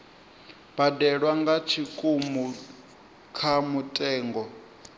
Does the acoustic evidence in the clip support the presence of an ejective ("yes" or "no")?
yes